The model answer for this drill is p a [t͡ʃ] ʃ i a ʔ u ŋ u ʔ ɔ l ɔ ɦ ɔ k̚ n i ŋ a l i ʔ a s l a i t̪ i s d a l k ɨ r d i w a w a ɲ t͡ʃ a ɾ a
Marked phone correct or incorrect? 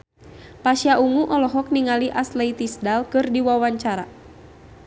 incorrect